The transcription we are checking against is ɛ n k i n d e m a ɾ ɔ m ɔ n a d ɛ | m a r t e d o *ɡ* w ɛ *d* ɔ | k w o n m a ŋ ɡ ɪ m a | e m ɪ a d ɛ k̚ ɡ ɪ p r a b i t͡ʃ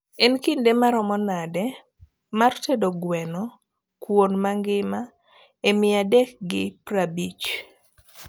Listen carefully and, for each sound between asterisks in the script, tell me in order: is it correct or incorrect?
correct, incorrect

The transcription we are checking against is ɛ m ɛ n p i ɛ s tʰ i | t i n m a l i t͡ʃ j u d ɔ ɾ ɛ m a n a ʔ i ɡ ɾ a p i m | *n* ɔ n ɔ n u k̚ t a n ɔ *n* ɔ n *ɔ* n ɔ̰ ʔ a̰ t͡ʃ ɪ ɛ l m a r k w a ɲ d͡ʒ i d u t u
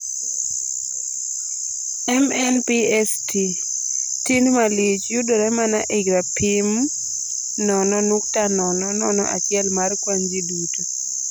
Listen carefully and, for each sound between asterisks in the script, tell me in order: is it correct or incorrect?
correct, correct, correct

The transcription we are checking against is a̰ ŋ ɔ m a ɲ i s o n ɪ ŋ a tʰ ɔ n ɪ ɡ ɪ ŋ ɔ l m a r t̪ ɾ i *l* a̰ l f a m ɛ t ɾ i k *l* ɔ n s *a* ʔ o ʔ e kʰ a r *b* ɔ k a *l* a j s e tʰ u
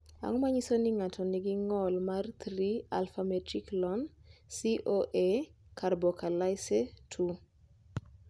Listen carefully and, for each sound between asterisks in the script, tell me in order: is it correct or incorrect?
incorrect, correct, incorrect, correct, correct

